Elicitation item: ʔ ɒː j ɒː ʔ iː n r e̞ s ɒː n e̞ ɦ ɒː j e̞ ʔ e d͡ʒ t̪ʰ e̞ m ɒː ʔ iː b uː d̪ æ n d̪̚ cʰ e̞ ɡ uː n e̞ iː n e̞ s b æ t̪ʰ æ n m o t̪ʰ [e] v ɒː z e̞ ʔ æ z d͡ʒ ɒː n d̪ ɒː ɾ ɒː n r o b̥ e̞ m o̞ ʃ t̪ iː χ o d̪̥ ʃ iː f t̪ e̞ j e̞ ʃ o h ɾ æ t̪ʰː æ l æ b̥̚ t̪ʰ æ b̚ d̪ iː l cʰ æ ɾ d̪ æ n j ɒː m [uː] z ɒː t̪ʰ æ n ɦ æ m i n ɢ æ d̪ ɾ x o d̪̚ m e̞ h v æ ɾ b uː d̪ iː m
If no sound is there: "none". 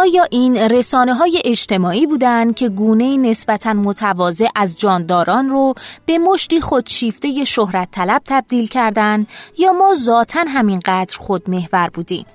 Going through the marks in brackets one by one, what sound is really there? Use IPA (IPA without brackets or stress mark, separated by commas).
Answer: æ, ɒː